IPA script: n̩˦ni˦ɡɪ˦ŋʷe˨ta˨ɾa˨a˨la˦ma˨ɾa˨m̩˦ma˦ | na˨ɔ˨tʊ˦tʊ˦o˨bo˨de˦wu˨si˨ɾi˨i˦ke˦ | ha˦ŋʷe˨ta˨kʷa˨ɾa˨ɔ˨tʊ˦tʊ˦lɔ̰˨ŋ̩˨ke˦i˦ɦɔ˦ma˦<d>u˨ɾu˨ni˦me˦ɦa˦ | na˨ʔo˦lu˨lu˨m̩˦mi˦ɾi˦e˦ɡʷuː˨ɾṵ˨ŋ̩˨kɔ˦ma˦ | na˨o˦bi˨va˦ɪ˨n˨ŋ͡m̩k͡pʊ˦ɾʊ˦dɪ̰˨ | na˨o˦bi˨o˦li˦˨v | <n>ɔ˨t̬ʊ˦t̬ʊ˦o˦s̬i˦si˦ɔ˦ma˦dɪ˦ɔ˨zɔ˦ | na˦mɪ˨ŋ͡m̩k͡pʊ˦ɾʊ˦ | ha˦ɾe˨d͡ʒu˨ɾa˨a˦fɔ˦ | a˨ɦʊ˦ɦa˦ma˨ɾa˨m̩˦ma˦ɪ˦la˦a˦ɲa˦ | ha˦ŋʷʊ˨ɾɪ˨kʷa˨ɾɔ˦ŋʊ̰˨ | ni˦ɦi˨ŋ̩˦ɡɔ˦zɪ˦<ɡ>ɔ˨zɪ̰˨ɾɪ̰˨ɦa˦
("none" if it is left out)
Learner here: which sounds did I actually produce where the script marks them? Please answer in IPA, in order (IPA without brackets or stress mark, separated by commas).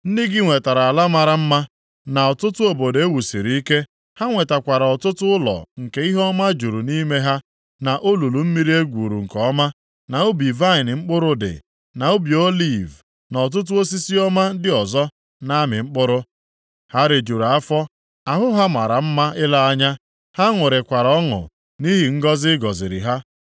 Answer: d͡ʒ, n, ɡ